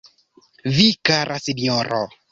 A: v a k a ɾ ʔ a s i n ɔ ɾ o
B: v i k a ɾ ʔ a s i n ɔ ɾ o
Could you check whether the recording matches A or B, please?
B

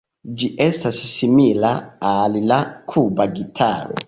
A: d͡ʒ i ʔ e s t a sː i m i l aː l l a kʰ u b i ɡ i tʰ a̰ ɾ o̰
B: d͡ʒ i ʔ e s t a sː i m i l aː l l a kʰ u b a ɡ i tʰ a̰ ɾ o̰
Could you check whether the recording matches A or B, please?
B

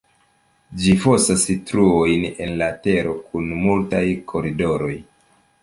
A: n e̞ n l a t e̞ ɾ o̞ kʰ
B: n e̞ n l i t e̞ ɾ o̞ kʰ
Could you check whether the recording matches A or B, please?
A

